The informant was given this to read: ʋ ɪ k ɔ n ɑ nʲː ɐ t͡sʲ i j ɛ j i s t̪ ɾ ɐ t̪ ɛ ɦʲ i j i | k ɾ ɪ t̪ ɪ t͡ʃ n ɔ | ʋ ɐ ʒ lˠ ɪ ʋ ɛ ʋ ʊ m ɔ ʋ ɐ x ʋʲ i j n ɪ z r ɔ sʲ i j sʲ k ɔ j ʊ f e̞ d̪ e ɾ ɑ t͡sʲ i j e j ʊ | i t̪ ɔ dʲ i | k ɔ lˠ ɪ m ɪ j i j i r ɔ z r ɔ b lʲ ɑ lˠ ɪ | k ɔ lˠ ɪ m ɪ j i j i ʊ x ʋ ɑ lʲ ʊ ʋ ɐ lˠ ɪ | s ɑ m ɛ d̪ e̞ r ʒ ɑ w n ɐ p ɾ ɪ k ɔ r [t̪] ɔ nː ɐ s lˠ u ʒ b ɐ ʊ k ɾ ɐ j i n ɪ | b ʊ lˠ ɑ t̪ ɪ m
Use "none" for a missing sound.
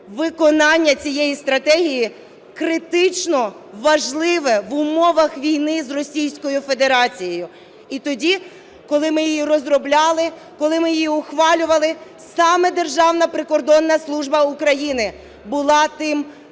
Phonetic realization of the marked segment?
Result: d̪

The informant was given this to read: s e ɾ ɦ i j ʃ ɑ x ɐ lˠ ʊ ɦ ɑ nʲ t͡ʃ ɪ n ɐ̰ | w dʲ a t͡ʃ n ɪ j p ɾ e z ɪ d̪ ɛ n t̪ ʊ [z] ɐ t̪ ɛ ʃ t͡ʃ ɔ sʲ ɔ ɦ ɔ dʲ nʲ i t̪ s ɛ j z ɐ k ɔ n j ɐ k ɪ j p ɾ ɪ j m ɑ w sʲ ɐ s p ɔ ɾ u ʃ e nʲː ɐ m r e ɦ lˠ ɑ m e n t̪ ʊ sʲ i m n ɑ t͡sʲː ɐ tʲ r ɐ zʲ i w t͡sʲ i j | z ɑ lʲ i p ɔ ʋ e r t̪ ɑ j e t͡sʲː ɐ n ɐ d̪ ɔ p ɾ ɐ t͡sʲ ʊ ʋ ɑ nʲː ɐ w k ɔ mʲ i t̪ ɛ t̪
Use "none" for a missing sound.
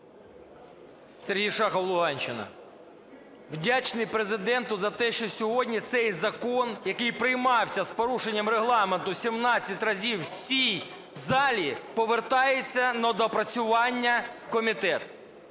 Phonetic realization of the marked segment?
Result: z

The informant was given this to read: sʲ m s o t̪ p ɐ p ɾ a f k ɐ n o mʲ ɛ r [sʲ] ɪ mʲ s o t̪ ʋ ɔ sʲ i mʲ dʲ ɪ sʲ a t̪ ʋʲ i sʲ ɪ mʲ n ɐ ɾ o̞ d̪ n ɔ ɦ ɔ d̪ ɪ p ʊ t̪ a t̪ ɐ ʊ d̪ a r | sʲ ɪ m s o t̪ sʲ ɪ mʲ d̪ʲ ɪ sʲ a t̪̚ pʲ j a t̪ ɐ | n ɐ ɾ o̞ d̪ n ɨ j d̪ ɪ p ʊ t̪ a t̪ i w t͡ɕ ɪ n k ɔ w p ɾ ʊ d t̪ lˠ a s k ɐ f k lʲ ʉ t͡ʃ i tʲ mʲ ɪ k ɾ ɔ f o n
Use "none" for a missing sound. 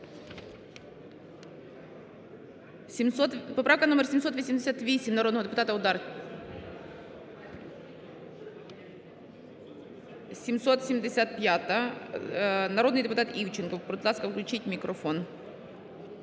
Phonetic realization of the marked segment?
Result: sʲ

